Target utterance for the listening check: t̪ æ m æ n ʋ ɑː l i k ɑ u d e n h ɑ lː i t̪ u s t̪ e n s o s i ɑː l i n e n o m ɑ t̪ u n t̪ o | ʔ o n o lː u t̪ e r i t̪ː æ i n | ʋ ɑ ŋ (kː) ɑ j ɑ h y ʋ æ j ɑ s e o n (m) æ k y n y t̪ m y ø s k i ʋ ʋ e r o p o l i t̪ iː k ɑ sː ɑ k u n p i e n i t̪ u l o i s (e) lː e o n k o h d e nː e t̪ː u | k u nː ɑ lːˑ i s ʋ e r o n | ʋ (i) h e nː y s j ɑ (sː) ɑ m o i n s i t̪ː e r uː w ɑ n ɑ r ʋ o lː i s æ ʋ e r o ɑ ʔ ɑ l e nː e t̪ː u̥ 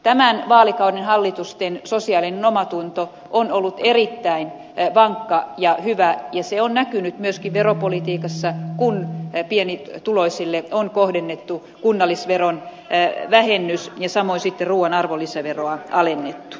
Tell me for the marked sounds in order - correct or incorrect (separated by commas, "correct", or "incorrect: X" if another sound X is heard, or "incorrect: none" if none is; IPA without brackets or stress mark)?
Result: correct, incorrect: n, incorrect: i, incorrect: æ, incorrect: s